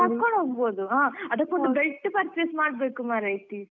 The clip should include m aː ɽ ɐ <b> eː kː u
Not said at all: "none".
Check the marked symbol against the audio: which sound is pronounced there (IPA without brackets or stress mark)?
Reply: b